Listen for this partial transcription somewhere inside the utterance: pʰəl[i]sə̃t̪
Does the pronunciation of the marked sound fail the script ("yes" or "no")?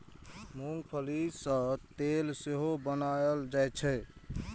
no